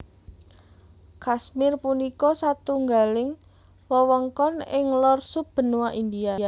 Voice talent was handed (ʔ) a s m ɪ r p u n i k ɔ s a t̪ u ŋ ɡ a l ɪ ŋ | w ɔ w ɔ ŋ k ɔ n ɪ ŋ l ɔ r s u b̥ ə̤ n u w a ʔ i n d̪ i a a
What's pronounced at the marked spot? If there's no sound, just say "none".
k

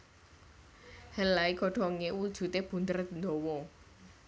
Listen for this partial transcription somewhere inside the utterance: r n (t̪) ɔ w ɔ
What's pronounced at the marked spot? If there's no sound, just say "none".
d̪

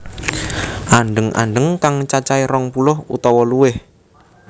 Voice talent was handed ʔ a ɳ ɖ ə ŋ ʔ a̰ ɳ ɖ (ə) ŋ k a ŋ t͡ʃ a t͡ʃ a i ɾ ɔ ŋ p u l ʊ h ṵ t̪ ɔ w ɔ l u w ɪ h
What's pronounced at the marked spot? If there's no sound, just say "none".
ə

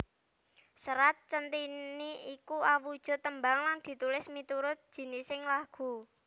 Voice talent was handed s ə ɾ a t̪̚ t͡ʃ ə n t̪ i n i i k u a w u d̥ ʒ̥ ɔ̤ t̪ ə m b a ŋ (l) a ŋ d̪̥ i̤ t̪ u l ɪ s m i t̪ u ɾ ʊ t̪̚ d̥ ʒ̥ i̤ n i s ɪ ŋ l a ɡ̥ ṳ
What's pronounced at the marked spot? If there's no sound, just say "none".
l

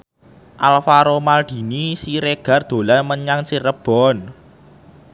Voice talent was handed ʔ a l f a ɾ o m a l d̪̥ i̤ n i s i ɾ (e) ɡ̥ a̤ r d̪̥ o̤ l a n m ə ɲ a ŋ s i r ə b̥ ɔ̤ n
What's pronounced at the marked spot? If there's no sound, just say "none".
e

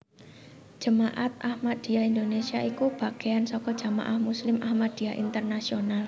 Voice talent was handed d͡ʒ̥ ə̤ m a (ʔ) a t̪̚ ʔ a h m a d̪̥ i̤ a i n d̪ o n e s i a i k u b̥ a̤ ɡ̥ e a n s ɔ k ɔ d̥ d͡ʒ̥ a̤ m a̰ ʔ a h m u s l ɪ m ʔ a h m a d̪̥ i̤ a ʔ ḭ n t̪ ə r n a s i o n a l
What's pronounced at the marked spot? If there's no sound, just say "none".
ʔ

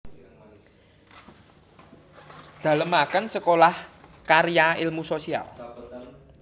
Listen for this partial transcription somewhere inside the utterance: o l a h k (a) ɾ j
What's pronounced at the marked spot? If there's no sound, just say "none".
a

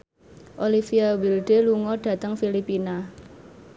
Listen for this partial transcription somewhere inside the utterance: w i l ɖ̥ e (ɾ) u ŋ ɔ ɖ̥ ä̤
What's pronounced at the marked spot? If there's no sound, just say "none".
l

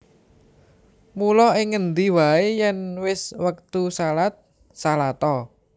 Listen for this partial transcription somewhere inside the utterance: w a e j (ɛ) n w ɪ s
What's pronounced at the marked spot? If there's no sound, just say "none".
ɛ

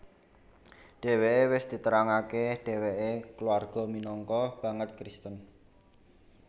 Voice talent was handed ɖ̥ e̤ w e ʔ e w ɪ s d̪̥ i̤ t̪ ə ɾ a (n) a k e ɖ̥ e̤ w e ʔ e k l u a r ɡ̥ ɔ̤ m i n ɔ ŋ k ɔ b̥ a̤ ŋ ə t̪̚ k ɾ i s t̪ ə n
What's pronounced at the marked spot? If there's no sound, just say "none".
ŋ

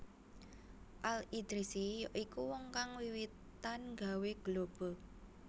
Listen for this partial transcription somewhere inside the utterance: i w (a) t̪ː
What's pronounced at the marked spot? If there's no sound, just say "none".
i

